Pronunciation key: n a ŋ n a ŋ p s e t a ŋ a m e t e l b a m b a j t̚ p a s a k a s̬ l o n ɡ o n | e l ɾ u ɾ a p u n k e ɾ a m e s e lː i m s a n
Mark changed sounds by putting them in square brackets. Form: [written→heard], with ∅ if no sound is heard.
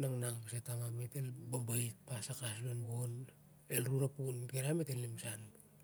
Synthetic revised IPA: n a ŋ n a ŋ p s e t a ŋ a m e t e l b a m b a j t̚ p a s a k a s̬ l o n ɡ o n | e l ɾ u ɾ a p u n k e ɾ a m e [s→t] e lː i m s a n